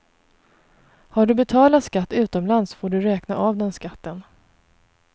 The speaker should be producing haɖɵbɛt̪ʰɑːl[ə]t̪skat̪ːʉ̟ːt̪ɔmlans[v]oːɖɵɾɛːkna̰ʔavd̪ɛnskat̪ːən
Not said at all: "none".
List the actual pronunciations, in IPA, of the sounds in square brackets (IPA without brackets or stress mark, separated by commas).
a, f